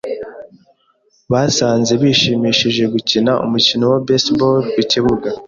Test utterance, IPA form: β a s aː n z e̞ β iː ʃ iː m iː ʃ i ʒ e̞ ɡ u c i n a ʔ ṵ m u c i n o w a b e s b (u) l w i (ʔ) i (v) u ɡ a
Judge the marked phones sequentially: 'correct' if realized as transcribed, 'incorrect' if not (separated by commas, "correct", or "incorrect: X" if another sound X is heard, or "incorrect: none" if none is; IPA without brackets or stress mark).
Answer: incorrect: o, incorrect: c, incorrect: β